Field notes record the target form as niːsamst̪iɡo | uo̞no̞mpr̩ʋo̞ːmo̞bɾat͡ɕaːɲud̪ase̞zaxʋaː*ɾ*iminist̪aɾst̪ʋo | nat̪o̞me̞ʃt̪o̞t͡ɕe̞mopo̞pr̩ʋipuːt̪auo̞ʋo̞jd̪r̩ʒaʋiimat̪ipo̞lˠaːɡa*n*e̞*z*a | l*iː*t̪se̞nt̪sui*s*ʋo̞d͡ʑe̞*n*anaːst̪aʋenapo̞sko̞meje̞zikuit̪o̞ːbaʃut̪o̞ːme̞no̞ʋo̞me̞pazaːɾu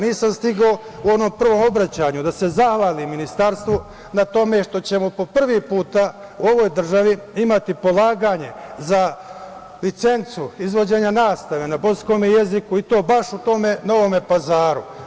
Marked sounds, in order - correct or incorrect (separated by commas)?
incorrect, incorrect, correct, incorrect, incorrect, incorrect